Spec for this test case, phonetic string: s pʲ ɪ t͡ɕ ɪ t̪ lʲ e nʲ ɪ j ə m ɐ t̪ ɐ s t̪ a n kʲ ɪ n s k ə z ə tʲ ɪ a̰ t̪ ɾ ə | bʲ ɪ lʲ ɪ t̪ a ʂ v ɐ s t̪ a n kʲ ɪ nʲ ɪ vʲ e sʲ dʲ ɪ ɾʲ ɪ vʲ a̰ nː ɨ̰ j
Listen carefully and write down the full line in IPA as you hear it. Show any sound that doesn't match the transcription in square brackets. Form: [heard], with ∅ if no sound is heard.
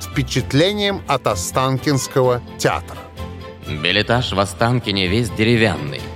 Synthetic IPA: [f] pʲ ɪ t͡ɕ ɪ t̪ lʲ e nʲ ɪ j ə m ɐ t̪ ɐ s t̪ a n kʲ ɪ n s k ə [v] ə tʲ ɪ a̰ t̪ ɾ ə | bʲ ɪ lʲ ɪ t̪ a ʂ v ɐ s t̪ a n kʲ ɪ nʲ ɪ vʲ e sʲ dʲ ɪ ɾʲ ɪ vʲ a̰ nː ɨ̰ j